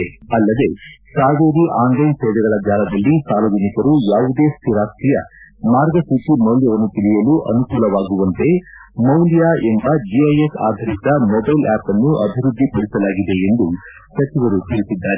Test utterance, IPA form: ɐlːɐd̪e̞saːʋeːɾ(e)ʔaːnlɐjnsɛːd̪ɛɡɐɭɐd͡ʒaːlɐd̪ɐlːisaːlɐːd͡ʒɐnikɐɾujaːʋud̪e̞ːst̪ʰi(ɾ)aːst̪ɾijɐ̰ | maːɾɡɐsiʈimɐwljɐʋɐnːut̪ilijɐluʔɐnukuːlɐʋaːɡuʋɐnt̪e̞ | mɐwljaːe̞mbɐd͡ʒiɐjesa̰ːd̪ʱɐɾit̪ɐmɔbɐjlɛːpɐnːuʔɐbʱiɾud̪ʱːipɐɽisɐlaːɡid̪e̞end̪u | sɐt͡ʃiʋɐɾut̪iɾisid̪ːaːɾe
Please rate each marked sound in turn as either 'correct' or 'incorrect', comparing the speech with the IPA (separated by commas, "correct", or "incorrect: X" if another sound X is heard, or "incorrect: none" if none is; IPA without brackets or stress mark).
incorrect: i, correct